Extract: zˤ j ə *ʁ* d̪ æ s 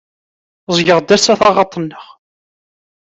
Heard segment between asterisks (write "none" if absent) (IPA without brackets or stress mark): ʁ